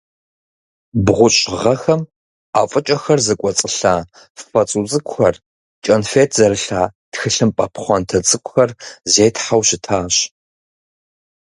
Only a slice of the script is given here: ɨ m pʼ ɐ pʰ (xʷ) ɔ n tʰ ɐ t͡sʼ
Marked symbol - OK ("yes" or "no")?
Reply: no